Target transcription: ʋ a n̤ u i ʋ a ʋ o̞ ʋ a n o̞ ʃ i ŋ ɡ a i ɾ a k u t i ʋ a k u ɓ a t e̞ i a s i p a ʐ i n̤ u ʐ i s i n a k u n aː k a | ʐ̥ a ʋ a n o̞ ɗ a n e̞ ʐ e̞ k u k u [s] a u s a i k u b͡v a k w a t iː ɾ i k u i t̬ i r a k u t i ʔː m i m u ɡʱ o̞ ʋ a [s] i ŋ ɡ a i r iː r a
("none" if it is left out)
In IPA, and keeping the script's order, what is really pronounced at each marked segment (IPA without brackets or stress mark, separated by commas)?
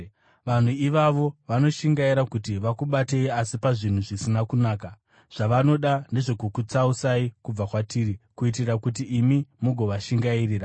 t͡s, ʃ